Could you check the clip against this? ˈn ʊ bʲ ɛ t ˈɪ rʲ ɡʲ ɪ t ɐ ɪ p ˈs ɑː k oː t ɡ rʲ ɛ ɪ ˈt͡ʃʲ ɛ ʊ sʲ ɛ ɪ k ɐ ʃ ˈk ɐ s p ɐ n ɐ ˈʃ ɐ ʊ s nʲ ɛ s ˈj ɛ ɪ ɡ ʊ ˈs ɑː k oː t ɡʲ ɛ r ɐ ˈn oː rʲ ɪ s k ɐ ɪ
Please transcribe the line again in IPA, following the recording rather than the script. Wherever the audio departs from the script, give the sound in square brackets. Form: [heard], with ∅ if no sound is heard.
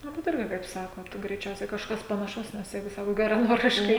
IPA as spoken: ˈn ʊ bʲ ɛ t ˈɪ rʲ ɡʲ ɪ [k] ɐ ɪ p ˈs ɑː k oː t ɡ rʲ ɛ ɪ ˈt͡ʃʲ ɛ ʊ sʲ ɛ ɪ k ɐ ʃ ˈk ɐ s p ɐ n ɐ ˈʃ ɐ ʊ s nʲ ɛ s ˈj ɛ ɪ ɡ ʊ ˈs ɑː k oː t ɡʲ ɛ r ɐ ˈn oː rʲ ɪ [ʃ] k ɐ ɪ